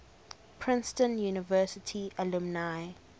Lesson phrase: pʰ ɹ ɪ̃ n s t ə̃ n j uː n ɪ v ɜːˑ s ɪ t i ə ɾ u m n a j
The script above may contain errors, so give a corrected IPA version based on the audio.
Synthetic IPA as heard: pʰ ɹ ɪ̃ n s t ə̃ n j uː n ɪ v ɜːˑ s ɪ tʰ i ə l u m n a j